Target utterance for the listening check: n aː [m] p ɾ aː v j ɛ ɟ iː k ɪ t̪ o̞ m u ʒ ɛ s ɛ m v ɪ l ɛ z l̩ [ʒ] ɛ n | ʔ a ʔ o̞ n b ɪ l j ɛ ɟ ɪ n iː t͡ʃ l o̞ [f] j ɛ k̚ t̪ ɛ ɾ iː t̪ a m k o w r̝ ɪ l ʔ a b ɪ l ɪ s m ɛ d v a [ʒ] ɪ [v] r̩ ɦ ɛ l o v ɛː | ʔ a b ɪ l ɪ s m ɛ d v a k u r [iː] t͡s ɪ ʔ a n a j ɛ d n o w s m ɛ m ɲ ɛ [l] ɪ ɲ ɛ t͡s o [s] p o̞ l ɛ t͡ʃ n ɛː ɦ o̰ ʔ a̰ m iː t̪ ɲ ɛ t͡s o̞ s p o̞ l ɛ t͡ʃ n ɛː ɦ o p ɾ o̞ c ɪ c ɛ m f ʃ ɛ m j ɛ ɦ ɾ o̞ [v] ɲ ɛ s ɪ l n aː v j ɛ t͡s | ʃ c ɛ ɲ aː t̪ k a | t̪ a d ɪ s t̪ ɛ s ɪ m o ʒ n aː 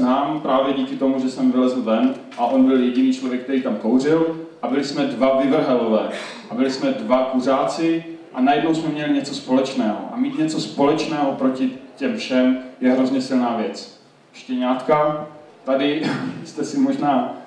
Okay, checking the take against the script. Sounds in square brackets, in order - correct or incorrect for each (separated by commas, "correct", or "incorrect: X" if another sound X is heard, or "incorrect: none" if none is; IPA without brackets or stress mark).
correct, incorrect: v, incorrect: v, incorrect: v, correct, incorrect: aː, correct, correct, incorrect: z